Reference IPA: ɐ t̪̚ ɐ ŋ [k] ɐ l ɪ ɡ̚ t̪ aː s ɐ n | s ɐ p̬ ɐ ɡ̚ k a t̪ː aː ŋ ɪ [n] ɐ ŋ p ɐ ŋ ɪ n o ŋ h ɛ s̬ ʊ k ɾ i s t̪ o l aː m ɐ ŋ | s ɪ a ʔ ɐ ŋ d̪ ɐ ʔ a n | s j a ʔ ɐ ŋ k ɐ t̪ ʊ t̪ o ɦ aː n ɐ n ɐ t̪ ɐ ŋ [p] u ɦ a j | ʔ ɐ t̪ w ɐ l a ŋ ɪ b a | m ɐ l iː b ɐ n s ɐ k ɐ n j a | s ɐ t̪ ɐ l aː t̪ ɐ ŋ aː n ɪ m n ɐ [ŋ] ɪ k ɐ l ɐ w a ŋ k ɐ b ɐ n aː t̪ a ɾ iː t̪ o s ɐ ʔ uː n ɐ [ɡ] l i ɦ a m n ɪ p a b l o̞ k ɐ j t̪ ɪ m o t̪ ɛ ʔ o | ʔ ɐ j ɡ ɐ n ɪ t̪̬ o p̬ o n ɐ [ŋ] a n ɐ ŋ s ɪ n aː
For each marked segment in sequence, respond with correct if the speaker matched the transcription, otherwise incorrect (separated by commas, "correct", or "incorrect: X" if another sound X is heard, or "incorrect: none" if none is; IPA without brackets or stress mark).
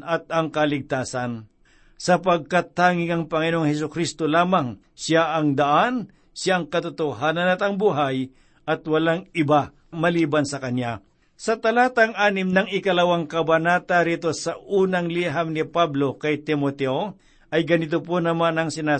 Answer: correct, incorrect: ŋ, incorrect: b, correct, incorrect: ŋ, incorrect: m